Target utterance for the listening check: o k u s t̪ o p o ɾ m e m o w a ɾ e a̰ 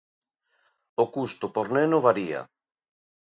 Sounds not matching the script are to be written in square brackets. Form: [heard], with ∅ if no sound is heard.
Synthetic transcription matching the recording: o k u s t̪ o p o ɾ [n] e [n] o [β] a ɾ [i] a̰